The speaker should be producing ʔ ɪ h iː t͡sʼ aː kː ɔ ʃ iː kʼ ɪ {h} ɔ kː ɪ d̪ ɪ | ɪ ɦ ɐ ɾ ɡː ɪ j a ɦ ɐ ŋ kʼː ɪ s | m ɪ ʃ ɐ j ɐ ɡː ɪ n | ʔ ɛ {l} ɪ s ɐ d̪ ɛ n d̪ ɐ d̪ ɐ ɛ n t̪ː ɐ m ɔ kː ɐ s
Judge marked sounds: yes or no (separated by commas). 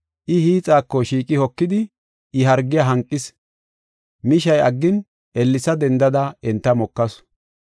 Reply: yes, no